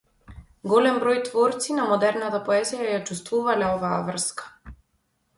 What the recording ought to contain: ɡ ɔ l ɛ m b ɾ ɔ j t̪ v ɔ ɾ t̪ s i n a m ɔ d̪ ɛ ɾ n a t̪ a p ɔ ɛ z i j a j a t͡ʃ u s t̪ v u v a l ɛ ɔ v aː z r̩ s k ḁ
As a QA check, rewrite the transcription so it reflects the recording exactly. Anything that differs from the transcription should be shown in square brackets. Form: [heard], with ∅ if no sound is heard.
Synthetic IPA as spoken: ɡ ɔ l ɛ m b ɾ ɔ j t̪ v ɔ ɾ t̪ s i n a m ɔ d̪ ɛ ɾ n a t̪ a p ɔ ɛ z i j a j a t͡ʃ u s t̪ v u v a l ɛ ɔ v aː [v] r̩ s k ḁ